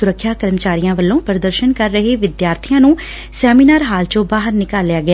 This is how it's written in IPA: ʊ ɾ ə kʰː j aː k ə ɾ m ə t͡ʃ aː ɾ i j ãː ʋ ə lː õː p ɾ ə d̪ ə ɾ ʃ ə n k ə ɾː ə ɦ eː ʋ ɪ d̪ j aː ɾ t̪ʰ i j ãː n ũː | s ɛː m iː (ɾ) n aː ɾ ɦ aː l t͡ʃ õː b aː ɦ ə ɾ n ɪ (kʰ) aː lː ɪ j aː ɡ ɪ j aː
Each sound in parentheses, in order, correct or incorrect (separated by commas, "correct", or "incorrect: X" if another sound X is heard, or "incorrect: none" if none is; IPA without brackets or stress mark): incorrect: none, incorrect: k